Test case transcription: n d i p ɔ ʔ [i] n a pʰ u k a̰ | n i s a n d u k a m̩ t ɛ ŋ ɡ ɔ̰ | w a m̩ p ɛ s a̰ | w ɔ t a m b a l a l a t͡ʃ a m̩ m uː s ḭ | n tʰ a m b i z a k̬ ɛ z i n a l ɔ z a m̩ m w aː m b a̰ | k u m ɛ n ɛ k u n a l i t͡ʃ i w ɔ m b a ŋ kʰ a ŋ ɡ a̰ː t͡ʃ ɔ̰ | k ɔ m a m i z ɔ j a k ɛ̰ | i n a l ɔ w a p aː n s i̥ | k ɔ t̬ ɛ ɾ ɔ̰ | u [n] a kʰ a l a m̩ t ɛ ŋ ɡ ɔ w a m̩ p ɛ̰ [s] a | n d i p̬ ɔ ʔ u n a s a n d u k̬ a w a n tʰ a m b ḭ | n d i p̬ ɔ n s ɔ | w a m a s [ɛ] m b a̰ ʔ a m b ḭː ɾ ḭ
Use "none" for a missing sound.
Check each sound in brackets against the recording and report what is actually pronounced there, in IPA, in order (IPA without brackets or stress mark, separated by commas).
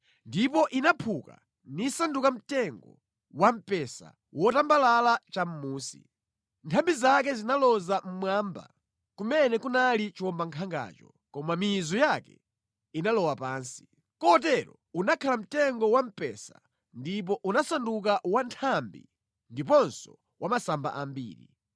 i, n, s, a